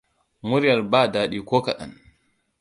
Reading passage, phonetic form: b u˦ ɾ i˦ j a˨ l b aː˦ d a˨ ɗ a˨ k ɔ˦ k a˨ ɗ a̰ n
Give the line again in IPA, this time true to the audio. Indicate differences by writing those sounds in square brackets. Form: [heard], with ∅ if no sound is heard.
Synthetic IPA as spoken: [m] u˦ ɾ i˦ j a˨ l b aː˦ d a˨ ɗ [i˨] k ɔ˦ k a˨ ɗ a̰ n